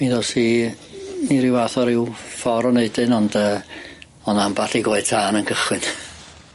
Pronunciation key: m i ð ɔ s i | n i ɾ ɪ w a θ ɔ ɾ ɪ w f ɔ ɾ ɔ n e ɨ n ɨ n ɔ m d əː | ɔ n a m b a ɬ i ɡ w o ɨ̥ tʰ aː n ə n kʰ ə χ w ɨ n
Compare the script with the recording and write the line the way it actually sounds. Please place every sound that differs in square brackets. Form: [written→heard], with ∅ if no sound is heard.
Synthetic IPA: m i ð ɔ s i | n i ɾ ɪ w a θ ɔ ɾ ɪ w f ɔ ɾ ɔ n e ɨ [n→d] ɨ n ɔ [m→n] d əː | ɔ n a m b a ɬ i ɡ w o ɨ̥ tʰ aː n ə n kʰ ə χ w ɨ n

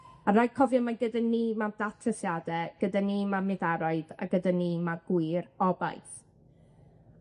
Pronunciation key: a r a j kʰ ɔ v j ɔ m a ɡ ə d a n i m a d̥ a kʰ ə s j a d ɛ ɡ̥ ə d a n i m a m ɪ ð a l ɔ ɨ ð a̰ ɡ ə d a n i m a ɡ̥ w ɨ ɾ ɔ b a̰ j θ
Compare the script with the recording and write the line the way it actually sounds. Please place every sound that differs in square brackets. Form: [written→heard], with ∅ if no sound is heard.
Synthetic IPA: a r a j kʰ ɔ v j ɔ m a ɡ ə d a n i m a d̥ a [kʰ→tʰ] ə s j a d ɛ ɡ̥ ə d a n i m a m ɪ ð a [l→ɾ] ɔ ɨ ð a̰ ɡ ə d a n i m a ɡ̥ w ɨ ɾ ɔ b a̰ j θ

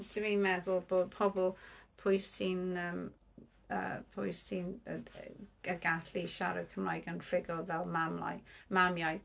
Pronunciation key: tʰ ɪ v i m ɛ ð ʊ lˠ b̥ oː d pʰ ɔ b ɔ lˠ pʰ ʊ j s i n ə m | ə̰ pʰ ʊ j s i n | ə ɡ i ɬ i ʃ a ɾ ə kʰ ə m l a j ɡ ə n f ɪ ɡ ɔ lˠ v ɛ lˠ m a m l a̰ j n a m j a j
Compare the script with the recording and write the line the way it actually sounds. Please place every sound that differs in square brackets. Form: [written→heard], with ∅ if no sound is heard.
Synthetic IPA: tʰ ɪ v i m ɛ ð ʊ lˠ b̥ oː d pʰ ɔ b ɔ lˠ pʰ ʊ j s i n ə m | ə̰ pʰ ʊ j s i n | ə ɡ [i→a] ɬ i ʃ a ɾ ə kʰ ə m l a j ɡ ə n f ɪ ɡ ɔ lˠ v ɛ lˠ m a m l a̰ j [n→m] a m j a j

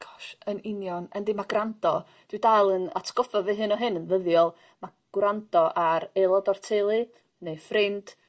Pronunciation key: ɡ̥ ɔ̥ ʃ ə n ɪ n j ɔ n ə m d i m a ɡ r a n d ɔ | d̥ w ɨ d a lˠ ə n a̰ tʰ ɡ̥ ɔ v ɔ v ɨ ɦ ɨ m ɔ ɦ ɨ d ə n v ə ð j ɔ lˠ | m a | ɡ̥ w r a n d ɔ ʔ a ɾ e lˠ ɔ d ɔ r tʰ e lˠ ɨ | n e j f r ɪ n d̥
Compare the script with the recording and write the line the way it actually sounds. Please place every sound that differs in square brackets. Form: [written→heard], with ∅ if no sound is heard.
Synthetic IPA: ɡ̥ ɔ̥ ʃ ə n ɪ n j ɔ n ə [m→n] d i m a ɡ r a n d ɔ | d̥ w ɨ d a lˠ ə n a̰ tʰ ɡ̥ ɔ [v→f] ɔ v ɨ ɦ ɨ [m→n] ɔ ɦ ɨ [d→n] ə n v ə ð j ɔ lˠ | m a | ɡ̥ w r a n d ɔ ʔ a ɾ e lˠ ɔ d ɔ r tʰ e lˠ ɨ | n e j f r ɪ n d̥

